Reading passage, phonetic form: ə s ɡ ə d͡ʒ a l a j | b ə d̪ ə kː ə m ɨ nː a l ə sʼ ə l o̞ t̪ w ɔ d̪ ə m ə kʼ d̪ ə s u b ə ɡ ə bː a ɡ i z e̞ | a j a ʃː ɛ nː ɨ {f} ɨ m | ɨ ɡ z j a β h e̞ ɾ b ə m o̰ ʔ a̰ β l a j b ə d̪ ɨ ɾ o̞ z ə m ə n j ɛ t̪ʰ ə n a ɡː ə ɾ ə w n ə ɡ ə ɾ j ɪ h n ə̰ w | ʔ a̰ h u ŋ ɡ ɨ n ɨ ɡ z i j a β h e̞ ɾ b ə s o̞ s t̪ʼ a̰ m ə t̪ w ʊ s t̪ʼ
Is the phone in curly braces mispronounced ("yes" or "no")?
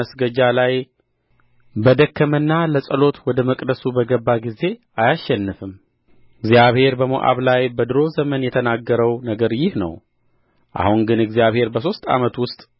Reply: no